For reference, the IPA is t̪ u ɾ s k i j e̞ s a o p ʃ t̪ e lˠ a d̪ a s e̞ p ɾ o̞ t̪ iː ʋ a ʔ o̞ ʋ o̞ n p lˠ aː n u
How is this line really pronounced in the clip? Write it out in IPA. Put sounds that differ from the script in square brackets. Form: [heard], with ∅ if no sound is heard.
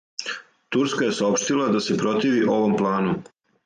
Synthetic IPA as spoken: t̪ u ɾ s k [a] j e̞ s a o p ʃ t̪ [i] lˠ a d̪ a s e̞ p ɾ o̞ t̪ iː ʋ [i] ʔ o̞ ʋ o̞ [m] p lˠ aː n u